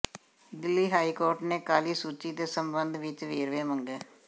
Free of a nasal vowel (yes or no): yes